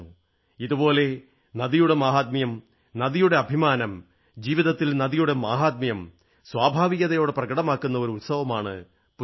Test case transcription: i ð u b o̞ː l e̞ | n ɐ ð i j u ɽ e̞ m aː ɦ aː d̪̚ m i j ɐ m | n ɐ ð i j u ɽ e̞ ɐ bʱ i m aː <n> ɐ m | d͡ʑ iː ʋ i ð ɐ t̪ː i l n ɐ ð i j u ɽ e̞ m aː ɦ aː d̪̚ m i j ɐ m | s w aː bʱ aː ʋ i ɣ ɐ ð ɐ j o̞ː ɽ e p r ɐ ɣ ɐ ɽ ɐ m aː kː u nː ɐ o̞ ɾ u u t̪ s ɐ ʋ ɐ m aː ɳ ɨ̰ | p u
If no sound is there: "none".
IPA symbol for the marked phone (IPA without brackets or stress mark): n